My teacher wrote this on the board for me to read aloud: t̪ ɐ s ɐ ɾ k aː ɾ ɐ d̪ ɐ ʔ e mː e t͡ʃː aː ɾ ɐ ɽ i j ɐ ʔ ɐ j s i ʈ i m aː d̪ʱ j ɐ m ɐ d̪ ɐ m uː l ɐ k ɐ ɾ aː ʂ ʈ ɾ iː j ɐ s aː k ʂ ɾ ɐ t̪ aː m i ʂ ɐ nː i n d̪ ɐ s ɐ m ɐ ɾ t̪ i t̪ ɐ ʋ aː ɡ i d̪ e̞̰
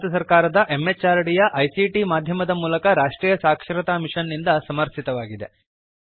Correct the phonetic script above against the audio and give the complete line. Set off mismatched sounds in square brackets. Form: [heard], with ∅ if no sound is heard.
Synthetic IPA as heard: t̪ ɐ s ɐ ɾ k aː ɾ ɐ d̪ ɐ ʔ e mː e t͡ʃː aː ɾ ɐ ɽ i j ɐ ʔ ɐ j s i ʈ i m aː d̪ʱ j ɐ m ɐ d̪ ɐ m uː l ɐ k ɐ ɾ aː ʂ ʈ ɾ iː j ɐ s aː k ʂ ɾ ɐ t̪ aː m i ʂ ɐ nː i n d̪ ɐ s ɐ m ɐ ɾ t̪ i t̪ ɐ ʋ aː ɡ i d̪ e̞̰